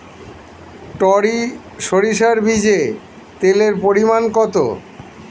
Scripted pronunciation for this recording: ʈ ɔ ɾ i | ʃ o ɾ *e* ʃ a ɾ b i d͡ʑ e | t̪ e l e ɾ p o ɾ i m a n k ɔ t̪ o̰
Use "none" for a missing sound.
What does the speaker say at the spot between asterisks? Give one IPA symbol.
i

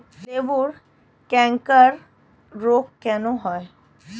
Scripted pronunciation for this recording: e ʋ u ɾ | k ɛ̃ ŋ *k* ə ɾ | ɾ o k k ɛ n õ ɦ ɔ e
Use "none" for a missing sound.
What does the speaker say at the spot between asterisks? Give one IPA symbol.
k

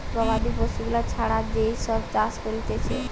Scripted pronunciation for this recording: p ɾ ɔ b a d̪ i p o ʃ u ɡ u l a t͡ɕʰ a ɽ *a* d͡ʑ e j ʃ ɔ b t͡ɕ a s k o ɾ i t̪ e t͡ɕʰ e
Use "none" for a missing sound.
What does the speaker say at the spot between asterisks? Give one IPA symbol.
a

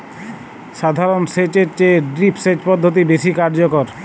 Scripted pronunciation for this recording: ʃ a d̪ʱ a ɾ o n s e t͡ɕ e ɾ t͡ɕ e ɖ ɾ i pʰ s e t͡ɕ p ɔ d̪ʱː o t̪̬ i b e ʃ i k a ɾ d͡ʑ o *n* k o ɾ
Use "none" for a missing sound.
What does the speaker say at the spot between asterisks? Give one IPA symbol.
none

